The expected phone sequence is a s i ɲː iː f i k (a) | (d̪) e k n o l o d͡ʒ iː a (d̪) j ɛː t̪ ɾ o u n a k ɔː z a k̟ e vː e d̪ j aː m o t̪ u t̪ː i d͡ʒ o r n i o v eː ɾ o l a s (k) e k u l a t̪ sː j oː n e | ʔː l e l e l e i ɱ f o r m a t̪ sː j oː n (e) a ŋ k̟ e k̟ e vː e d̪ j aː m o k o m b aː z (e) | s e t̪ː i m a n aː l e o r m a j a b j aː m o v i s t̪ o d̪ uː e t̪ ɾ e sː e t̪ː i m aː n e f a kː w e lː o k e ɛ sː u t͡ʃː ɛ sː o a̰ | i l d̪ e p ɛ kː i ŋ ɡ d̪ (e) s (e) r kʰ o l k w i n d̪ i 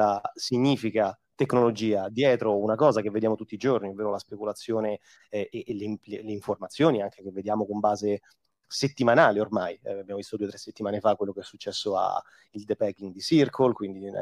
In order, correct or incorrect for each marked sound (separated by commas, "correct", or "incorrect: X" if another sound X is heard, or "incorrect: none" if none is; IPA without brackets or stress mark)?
correct, incorrect: t̪, correct, incorrect: p, incorrect: i, correct, incorrect: i, incorrect: i